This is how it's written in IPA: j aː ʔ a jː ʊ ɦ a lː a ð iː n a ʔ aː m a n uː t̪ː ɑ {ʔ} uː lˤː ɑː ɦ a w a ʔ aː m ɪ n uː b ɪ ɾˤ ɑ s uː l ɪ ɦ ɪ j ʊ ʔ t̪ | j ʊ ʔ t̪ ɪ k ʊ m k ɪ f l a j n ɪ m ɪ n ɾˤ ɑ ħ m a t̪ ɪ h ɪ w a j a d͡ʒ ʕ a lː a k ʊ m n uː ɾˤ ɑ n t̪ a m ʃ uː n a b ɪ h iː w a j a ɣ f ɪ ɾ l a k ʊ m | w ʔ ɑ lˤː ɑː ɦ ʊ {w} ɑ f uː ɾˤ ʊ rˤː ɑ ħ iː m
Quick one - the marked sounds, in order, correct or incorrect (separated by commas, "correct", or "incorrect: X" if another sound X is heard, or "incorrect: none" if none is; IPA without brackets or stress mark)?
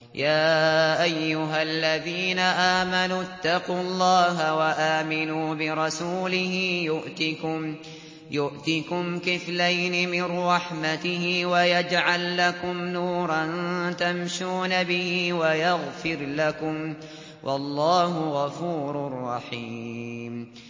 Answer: incorrect: q, incorrect: ɣ